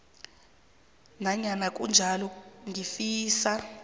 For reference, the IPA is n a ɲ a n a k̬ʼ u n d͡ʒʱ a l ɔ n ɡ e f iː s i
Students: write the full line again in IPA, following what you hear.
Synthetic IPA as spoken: n a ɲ a n a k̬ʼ u n d͡ʒʱ a l ɔ ŋ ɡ i f iː s a